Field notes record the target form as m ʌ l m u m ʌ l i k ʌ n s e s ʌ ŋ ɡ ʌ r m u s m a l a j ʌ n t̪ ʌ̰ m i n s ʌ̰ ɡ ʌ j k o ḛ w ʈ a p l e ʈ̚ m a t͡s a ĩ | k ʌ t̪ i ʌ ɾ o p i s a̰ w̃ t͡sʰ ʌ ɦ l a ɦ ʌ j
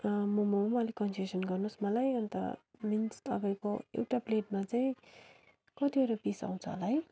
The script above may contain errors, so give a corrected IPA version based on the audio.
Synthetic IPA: m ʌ m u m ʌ l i k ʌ n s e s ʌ n ɡ ʌ r n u s m ʌ l a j ʌ n t̪ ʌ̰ m i n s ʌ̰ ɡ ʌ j k o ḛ w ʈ a p l e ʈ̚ m a t͡s a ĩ | k ʌ t̪ i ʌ ɾ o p i s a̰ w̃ t͡sʰ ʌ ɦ l a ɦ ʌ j